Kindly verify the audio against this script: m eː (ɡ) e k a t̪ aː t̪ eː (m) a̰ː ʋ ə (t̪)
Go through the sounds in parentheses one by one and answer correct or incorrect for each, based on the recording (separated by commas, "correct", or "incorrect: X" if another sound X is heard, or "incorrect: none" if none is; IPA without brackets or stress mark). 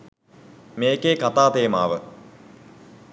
incorrect: k, correct, incorrect: none